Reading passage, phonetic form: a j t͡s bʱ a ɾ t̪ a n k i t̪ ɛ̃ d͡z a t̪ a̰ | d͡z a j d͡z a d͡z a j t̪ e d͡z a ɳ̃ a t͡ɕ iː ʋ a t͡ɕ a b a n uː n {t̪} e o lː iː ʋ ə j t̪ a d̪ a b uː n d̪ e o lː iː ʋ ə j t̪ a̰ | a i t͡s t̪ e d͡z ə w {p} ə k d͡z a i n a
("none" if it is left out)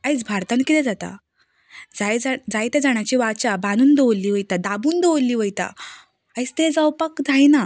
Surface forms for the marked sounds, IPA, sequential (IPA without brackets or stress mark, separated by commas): d̪, p